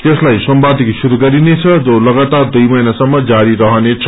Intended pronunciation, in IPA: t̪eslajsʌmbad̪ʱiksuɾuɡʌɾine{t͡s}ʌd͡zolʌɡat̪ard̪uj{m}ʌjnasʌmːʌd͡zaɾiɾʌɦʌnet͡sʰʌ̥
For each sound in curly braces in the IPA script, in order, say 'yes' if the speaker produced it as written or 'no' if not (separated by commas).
no, yes